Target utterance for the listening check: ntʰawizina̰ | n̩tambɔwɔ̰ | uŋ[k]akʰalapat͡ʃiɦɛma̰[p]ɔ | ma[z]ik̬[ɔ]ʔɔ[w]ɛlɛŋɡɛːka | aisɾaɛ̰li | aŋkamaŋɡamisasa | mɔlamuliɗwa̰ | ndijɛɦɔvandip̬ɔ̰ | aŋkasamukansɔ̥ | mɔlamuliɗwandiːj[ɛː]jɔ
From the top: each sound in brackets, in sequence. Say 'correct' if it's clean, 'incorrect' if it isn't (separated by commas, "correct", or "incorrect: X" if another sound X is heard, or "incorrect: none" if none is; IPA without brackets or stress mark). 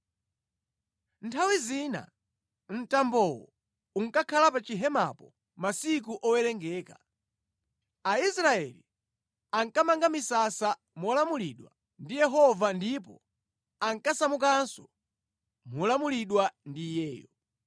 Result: correct, correct, incorrect: s, incorrect: u, correct, correct